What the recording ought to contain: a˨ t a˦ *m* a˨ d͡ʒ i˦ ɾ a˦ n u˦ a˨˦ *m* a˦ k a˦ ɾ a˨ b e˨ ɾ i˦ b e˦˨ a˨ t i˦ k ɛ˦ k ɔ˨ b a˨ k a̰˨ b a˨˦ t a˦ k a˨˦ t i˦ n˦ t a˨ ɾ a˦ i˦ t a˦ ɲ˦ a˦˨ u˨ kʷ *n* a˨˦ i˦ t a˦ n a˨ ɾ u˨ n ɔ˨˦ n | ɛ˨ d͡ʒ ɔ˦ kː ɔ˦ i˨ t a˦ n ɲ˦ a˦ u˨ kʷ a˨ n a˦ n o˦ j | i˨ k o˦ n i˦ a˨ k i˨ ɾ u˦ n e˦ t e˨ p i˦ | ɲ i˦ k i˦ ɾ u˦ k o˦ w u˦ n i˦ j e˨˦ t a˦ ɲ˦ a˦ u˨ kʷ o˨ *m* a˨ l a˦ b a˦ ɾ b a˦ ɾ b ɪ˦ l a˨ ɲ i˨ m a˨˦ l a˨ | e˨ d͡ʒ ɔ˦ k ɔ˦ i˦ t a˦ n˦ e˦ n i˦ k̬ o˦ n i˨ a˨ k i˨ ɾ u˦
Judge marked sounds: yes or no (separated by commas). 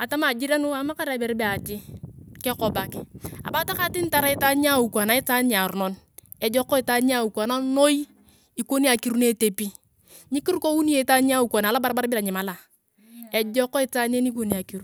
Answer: yes, yes, yes, no